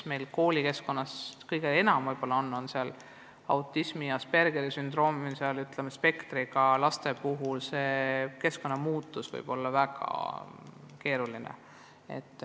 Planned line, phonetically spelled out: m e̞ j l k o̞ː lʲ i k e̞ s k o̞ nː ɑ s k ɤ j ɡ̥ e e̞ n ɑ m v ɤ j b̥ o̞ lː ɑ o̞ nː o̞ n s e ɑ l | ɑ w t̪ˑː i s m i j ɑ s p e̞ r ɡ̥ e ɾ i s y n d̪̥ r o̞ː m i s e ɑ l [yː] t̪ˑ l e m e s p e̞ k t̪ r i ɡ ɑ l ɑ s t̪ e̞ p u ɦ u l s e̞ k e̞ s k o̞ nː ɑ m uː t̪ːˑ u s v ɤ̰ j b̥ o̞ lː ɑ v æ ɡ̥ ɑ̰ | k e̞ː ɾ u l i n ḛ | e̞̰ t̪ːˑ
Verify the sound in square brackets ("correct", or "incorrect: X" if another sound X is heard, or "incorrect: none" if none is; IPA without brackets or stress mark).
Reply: incorrect: y